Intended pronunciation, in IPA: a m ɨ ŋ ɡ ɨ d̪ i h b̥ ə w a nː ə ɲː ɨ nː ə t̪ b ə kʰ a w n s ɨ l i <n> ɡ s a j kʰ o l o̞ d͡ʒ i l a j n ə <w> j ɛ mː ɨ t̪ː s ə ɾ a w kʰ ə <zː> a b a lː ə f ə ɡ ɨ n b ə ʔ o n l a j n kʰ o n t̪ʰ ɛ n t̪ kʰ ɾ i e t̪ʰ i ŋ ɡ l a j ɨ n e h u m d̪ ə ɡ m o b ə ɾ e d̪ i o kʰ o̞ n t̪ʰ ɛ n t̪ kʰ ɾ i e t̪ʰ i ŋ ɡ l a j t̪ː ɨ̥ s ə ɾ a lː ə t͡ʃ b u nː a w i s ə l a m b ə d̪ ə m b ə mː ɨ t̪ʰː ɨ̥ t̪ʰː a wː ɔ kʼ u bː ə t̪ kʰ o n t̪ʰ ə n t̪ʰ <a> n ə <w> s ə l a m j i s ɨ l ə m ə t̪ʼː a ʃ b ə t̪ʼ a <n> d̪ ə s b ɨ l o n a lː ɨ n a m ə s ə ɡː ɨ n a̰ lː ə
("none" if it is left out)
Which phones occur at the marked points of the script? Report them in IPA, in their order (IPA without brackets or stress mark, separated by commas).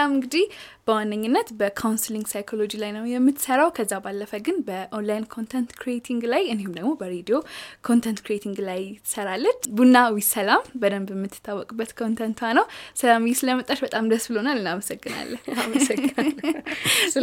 ŋ, w, zː, a, w, m